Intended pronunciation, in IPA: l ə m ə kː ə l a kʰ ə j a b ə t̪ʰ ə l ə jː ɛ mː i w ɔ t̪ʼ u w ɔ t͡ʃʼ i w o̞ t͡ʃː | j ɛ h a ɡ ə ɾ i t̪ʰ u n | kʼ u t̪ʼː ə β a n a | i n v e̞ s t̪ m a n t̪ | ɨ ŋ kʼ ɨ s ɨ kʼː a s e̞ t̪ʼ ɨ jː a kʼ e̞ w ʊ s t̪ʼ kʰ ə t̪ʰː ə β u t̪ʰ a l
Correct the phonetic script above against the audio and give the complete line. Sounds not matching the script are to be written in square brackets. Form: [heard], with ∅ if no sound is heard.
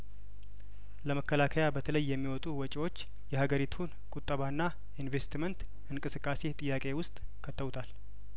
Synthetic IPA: l ə m ə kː ə l a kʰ ə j a b ə t̪ʰ ə l ə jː ɛ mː i w ɔ t̪ʼ u w ɔ t͡ʃʼ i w o̞ t͡ʃː | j ɛ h a ɡ ə ɾ i t̪ʰ u n | kʼ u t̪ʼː ə β a [nː] a | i n v e̞ s t̪ m [ə] n t̪ | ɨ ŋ kʼ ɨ s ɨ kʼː a s e̞ t̪ʼ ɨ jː a kʼ e̞ w ʊ s t̪ʼ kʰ ə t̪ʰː ə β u t̪ʰ a l